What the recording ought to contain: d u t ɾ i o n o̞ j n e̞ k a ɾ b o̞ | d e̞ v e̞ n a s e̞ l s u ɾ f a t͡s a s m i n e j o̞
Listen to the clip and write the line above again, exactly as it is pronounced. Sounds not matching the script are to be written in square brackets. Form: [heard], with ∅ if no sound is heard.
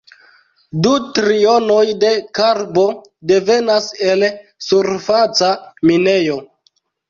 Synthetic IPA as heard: d u t ɾ i o n o̞ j [d] e̞ k a ɾ b o̞ | d e̞ v e̞ n a s e̞ l s u ɾ f a t͡s a [∅] m i n e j o̞